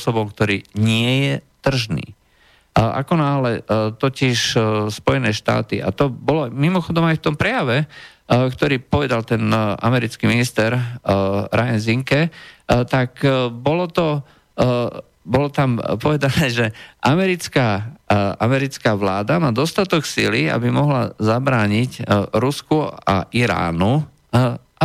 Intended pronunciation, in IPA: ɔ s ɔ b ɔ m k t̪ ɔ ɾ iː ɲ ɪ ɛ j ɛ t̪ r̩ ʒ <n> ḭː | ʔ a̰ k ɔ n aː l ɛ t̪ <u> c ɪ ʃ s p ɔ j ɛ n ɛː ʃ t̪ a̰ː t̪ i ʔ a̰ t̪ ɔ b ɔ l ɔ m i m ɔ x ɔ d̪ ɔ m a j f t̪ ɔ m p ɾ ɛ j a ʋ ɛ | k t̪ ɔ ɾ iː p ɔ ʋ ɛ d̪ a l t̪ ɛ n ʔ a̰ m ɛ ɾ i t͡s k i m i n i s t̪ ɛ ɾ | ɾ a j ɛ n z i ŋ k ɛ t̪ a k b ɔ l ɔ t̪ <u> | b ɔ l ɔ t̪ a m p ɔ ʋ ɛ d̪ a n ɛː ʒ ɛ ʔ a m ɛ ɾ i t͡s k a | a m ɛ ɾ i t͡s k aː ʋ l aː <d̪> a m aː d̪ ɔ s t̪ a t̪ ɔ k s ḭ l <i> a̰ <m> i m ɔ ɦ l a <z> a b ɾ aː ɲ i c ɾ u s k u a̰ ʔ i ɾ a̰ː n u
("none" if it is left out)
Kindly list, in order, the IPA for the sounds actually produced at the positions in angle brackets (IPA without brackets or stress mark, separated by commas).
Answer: n, ɔ, ɔ, d̪, i, b, z